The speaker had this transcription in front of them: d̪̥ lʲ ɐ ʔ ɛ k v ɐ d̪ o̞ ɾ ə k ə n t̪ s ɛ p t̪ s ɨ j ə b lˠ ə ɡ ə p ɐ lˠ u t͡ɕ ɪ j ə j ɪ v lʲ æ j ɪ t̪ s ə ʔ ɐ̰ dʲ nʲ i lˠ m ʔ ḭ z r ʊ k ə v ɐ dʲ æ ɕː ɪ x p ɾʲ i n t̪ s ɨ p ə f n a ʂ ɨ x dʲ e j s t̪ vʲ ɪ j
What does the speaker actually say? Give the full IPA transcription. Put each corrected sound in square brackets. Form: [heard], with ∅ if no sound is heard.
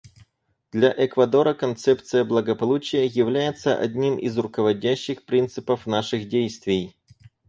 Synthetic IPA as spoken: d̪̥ lʲ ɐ ʔ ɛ k v ɐ d̪ o̞ ɾ ə k [ɐ] n t̪ s ɛ p t̪ s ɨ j ə b lˠ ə ɡ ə p ɐ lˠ u t͡ɕ ɪ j ə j ɪ v lʲ æ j ɪ t̪ s ə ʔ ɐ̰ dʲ nʲ i [∅] m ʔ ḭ z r ʊ k ə v ɐ dʲ æ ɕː ɪ x p ɾʲ i n t̪ s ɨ p ə f n a ʂ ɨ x dʲ e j s t̪ vʲ ɪ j

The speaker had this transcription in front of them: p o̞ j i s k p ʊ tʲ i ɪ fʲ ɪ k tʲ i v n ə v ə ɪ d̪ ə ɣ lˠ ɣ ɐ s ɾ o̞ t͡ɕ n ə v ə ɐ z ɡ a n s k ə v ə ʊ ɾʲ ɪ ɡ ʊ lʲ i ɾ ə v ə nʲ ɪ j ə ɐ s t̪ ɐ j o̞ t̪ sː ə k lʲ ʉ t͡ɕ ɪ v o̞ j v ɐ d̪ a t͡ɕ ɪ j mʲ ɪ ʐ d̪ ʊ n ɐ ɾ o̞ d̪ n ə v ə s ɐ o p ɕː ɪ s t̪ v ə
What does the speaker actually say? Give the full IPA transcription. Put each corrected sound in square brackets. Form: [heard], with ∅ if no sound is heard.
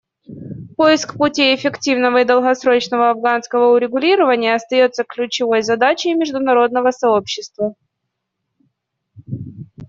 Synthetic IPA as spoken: p o̞ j [ɪ] s k p ʊ tʲ i ɪ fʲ ɪ k tʲ i v n ə v ə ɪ d̪ ə [∅] lˠ ɣ ɐ s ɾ o̞ t͡ɕ n ə v ə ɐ [v] ɡ a n s k ə v ə ʊ ɾʲ ɪ ɡ ʊ lʲ i ɾ ə v ə nʲ ɪ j ə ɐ s t̪ ɐ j o̞ t̪ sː ə k lʲ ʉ t͡ɕ ɪ v o̞ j [z] ɐ d̪ a t͡ɕ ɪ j mʲ ɪ ʐ d̪ ʊ n ɐ ɾ o̞ d̪ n ə v ə s ɐ o p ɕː ɪ s t̪ v ə

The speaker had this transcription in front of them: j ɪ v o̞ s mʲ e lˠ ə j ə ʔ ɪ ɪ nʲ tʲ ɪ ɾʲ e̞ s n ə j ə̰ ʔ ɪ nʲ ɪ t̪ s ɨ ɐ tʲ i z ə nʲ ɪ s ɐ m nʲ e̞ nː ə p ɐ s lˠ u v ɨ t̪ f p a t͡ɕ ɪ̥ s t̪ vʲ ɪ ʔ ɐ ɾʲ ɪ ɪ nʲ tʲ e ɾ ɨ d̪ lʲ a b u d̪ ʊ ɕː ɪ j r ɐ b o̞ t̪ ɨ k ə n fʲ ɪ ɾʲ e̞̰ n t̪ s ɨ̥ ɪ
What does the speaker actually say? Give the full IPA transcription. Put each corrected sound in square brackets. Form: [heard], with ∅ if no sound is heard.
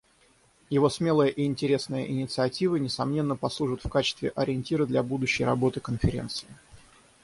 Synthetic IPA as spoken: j ɪ v o̞ s mʲ e lˠ ə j ə ʔ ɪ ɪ nʲ tʲ ɪ ɾʲ e̞ s n ə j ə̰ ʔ ɪ nʲ ɪ t̪ s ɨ ɐ tʲ i [v] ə nʲ ɪ s ɐ m nʲ e̞ nː ə p ɐ s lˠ u [ʐ] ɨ t̪ f [k] a t͡ɕ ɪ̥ s t̪ vʲ ɪ ʔ ɐ ɾʲ ɪ ɪ nʲ tʲ [i] ɾ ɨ d̪ lʲ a b u d̪ ʊ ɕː ɪ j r ɐ b o̞ t̪ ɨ k ə n fʲ ɪ ɾʲ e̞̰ n t̪ s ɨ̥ ɪ

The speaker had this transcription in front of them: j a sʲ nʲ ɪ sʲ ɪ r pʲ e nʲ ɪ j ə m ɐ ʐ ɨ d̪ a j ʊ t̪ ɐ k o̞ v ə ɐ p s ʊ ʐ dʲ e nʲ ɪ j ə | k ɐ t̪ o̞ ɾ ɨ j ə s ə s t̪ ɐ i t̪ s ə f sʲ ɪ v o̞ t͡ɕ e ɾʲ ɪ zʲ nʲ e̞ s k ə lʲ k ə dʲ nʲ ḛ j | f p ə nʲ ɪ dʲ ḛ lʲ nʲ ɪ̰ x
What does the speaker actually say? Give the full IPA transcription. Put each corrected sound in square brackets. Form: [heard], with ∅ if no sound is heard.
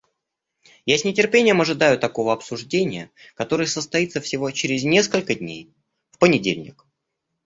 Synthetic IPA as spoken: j a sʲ nʲ ɪ [tʲ] ɪ r pʲ e nʲ ɪ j ə m ɐ ʐ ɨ d̪ a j ʊ t̪ ɐ k o̞ v ə ɐ p s ʊ ʐ dʲ e nʲ ɪ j ə | k ɐ t̪ o̞ ɾ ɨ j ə s ə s t̪ ɐ i t̪ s ə f sʲ ɪ v o̞ t͡ɕ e ɾʲ ɪ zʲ nʲ e̞ s k ə lʲ k ə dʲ nʲ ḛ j | f p ə nʲ ɪ dʲ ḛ lʲ nʲ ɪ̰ [k]

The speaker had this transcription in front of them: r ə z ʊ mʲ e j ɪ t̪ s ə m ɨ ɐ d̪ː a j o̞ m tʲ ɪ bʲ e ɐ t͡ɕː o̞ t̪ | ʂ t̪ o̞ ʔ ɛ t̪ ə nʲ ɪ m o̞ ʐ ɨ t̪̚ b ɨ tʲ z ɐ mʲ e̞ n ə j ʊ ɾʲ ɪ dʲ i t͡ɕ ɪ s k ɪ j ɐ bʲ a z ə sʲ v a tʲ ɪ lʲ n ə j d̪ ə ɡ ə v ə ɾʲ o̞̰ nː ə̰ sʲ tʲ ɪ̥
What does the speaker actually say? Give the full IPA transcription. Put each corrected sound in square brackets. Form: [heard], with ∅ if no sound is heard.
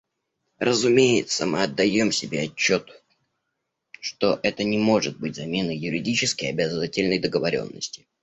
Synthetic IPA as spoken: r ə z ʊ mʲ e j ɪ t̪ s ə m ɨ ɐ d̪ː [ɐ] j o̞ m [sʲ] ɪ bʲ e ɐ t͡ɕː o̞ t̪ | ʂ t̪ o̞ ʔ ɛ t̪ ə nʲ ɪ m o̞ ʐ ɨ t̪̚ b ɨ tʲ z ɐ mʲ e̞ n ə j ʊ ɾʲ ɪ dʲ i t͡ɕ ɪ s k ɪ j ɐ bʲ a z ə [∅] v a tʲ ɪ lʲ n ə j d̪ ə ɡ ə v [ɐ] ɾʲ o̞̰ nː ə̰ sʲ tʲ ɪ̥

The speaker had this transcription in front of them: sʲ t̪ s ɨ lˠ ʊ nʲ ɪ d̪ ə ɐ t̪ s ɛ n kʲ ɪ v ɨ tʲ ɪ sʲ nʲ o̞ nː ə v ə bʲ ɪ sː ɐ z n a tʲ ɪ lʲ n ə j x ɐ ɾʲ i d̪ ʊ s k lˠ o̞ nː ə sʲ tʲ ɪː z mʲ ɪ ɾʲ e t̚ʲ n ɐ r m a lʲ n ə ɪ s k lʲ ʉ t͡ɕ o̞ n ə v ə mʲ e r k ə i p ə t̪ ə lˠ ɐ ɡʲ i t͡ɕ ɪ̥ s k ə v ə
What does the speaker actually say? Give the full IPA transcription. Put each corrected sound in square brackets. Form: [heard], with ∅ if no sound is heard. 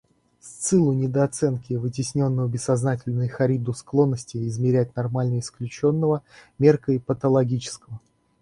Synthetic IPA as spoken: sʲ t̪ s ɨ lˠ ʊ nʲ ɪ d̪ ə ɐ t̪ s ɛ n kʲ ɪ v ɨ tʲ ɪ sʲ nʲ o̞ nː ə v ə bʲ ɪ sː ɐ z n a tʲ ɪ lʲ n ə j x ɐ ɾʲ i d̪ ʊ s k lˠ o̞ nː ə sʲ tʲ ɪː z mʲ ɪ ɾʲ [æ] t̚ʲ n ɐ r m a lʲ n ə ɪ s k lʲ ʉ t͡ɕ o̞ [nː] ə v ə mʲ e r k ə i p ə t̪ ə lˠ ɐ ɡʲ i t͡ɕ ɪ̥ s k ə v ə

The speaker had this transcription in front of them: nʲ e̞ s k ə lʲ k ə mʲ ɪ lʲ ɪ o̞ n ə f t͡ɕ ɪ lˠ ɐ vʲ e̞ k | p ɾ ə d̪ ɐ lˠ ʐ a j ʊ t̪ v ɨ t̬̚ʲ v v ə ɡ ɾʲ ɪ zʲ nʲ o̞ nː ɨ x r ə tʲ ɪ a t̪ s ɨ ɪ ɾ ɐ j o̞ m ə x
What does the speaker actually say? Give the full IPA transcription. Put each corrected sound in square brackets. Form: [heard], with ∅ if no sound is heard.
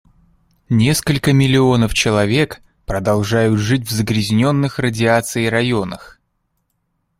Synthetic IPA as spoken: nʲ e̞ s k ə lʲ k ə mʲ ɪ lʲ ɪ o̞ n ə f t͡ɕ ɪ lˠ ɐ vʲ e̞ k | p ɾ ə d̪ ɐ lˠ ʐ a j ʊ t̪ [ʐ] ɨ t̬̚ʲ v [z] ə ɡ ɾʲ ɪ zʲ nʲ o̞ nː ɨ x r ə [dʲ] ɪ a t̪ s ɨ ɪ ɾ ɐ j o̞ [n] ə x

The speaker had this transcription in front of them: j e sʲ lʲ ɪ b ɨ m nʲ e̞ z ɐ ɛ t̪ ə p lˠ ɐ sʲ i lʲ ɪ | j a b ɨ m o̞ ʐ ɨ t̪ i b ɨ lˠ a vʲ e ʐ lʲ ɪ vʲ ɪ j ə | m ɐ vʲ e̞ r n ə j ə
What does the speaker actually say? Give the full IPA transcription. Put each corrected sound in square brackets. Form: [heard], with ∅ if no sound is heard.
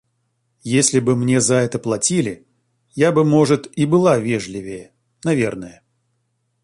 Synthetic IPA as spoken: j e sʲ lʲ ɪ b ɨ m nʲ e̞ z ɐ ɛ t̪ ə p lˠ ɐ [tʲ] i lʲ ɪ | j a b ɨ m o̞ ʐ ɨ t̪ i b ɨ lˠ a vʲ e ʐ lʲ ɪ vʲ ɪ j ə | [n] ɐ vʲ e̞ r n ə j ə

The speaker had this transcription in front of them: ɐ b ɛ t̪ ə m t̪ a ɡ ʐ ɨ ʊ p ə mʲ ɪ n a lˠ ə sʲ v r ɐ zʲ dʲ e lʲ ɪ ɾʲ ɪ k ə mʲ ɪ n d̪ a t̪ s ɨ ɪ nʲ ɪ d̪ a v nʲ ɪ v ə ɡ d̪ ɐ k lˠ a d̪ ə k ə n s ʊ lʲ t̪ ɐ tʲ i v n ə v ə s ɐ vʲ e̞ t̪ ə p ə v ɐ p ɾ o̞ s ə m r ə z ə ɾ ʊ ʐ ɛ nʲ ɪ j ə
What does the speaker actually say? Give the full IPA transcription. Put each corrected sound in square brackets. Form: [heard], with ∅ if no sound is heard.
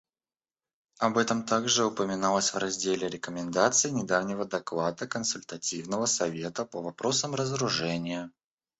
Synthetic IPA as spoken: ɐ b ɛ t̪ ə m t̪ a ɡ ʐ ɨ ʊ p ə mʲ ɪ n a lˠ ə sʲ v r ɐ zʲ dʲ e lʲ ɪ ɾʲ ɪ k ə mʲ ɪ n d̪ a t̪ s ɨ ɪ nʲ ɪ d̪ a v nʲ ɪ v ə [∅] d̪ ɐ k lˠ a d̪ ə k ə n s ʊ lʲ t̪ ɐ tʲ i v n ə v ə s ɐ vʲ e̞ t̪ ə p ə v ɐ p ɾ o̞ s ə m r ə z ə ɾ ʊ ʐ ɛ nʲ ɪ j ə

